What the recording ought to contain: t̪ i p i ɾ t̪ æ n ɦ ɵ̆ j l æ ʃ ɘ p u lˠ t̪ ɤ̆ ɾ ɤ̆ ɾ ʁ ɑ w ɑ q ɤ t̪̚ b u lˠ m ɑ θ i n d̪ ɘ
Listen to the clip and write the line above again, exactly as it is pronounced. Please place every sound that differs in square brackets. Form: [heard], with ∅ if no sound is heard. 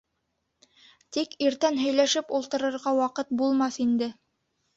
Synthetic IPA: t̪ i [k] i ɾ t̪ æ n ɦ ɵ̆ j l æ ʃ ɘ p u lˠ t̪ ɤ̆ ɾ ɤ̆ ɾ ʁ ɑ w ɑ q ɤ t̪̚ b u lˠ m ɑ θ i n d̪ ɘ